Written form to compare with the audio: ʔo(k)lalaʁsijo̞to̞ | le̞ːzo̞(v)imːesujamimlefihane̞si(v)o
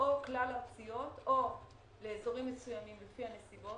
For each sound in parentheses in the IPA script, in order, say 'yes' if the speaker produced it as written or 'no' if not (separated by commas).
yes, no, no